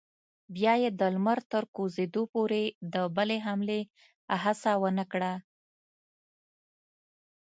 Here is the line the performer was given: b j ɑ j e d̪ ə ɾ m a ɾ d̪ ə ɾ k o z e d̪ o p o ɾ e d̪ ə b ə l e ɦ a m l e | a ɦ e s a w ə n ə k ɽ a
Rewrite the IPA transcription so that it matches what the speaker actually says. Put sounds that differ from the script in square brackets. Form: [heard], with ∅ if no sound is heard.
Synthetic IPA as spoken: b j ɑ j e d̪ ə [l] m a ɾ [t̪] ə ɾ k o z e d̪ o p o ɾ e d̪ ə b ə l e ɦ a m l e | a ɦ [a] s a w ə n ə k ɽ a